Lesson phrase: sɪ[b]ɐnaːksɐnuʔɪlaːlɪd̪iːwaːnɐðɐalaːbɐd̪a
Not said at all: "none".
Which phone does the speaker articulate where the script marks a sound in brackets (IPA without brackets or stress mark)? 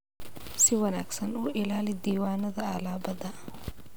w